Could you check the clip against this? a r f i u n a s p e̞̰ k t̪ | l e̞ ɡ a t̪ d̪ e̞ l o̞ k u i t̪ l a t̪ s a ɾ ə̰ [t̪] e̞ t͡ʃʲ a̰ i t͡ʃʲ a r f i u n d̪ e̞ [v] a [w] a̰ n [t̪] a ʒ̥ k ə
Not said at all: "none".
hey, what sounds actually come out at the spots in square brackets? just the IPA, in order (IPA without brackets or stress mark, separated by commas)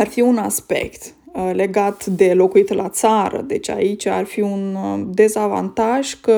d̪, z, v, t̪